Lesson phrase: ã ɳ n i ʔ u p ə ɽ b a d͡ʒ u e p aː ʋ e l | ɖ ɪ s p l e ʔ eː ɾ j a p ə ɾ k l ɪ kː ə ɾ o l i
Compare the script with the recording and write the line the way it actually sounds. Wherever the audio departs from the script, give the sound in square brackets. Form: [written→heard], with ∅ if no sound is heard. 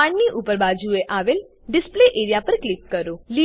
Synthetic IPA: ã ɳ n i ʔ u p ə [ɽ→ɾ] b a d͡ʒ u e [p→ʔ] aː ʋ e l | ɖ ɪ s p l e ʔ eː ɾ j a p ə ɾ k l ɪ kː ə ɾ o l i